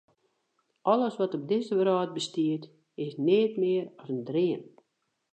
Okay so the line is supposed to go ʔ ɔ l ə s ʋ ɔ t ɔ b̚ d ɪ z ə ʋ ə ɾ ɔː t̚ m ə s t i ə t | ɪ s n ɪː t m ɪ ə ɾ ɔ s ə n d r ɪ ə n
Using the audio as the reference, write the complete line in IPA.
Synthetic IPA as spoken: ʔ ɔ l ə s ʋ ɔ t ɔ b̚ d ɪ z ə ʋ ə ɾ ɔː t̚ b ə s t i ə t | ɪ s n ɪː t m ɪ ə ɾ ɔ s ə n d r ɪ ə n